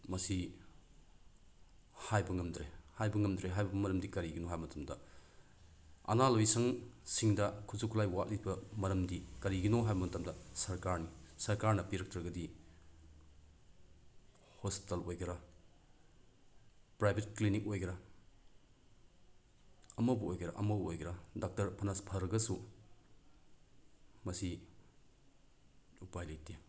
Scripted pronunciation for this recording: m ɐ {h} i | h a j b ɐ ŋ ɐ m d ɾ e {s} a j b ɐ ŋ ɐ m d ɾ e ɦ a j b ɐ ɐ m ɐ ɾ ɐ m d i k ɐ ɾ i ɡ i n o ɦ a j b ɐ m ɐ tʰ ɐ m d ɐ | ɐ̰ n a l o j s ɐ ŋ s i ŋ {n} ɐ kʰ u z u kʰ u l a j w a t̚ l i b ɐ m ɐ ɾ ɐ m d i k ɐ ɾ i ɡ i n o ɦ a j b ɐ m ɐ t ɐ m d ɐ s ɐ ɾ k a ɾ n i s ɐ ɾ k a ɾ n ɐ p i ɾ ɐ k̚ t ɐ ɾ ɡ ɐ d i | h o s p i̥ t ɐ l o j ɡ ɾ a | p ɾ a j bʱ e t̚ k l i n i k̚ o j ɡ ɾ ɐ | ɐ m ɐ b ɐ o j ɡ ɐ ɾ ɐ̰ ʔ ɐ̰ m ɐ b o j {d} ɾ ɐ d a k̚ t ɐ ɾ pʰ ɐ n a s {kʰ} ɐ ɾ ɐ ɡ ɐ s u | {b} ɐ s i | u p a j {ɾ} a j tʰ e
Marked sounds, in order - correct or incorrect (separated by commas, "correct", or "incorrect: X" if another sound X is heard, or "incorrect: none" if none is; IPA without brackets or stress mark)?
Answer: incorrect: s, incorrect: h, incorrect: d, incorrect: ɡ, incorrect: pʰ, incorrect: m, incorrect: l